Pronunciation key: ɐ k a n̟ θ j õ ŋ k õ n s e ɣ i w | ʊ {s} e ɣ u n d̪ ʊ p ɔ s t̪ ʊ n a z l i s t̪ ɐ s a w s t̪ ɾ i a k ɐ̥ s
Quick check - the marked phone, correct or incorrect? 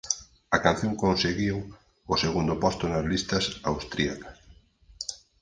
correct